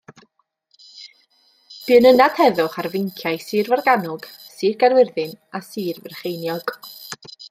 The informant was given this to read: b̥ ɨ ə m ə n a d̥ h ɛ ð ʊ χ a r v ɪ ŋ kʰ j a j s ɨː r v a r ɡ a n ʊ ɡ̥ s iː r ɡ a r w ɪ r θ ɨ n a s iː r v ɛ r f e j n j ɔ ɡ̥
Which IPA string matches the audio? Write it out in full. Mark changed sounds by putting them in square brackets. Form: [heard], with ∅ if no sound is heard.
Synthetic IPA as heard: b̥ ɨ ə [n] ə n a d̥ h ɛ ð ʊ χ a r v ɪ ŋ kʰ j a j s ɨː r v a r ɡ a n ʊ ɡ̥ s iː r ɡ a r w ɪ r [ð] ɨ n a s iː r v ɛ r [χ] e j n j ɔ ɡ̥